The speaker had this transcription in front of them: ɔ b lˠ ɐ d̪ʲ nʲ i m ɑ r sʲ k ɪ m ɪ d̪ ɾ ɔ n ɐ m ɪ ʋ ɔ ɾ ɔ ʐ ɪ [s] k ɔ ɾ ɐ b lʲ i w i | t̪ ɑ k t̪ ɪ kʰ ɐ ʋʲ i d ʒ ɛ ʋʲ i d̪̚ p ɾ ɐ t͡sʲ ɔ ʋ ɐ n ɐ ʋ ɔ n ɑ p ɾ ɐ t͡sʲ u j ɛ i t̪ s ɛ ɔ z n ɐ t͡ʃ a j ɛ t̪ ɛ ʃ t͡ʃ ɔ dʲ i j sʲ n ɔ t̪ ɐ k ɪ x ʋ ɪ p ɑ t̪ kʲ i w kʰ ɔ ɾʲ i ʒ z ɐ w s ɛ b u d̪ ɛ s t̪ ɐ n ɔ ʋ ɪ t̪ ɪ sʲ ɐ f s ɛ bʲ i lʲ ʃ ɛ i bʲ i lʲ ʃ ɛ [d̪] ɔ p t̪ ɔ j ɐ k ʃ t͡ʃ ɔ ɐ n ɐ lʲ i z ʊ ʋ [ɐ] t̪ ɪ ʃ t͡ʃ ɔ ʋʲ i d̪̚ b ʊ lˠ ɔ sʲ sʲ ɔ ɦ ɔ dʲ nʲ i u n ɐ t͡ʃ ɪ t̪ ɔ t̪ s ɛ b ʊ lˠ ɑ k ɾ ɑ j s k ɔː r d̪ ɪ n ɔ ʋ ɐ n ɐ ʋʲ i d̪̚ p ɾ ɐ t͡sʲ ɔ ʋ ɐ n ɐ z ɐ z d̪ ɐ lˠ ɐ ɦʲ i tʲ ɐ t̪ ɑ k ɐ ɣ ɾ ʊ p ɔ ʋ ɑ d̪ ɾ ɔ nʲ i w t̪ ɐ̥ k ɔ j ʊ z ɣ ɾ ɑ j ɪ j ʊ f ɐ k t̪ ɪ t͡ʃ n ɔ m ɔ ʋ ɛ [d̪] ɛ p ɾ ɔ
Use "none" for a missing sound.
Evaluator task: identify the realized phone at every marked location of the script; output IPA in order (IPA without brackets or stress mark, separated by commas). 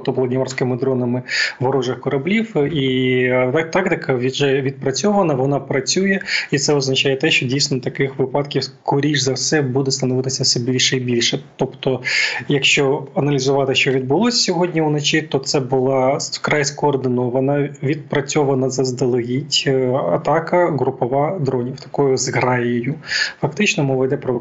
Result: x, t̪, ɑ, d̪